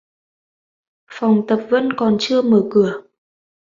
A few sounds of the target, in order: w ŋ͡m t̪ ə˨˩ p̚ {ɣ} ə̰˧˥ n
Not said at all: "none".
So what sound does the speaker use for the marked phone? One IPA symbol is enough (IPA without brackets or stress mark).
v